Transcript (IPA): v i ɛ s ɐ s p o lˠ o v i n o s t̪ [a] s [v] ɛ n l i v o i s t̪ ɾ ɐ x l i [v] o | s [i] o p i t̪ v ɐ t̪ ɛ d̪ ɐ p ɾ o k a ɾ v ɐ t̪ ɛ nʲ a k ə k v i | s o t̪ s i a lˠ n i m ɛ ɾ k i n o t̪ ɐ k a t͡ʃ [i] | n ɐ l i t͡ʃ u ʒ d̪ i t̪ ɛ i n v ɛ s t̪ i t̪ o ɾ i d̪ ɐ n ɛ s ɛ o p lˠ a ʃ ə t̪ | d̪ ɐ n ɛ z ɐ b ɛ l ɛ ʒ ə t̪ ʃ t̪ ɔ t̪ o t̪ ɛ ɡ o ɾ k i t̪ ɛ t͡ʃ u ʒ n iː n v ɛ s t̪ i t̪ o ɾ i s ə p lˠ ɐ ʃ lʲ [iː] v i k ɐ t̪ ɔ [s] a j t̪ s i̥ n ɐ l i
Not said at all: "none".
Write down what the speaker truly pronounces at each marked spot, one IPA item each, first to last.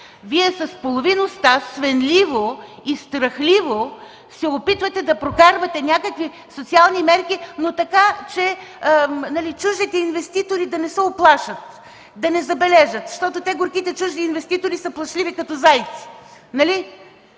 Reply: a, v, v, ɛ, ɛ, i, z

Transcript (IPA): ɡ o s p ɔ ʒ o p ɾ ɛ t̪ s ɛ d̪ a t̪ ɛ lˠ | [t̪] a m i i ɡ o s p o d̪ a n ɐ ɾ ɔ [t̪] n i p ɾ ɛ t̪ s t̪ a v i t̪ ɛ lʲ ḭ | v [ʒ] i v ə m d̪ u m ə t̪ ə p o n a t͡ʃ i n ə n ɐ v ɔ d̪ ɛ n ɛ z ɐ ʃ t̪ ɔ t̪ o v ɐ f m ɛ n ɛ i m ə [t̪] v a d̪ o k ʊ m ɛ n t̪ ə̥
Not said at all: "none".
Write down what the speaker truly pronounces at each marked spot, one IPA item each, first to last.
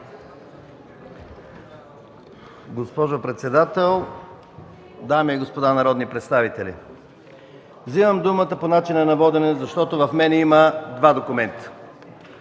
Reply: d̪, d̪, z, d̪

